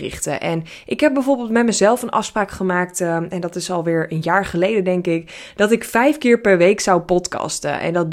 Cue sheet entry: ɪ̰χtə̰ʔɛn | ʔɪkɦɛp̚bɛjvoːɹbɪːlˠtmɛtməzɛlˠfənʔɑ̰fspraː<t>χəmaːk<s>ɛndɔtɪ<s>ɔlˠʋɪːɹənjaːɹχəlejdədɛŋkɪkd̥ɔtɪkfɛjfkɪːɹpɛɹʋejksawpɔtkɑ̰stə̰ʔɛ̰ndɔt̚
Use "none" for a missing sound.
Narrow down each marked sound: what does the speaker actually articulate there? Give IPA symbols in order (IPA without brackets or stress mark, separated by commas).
k, t, s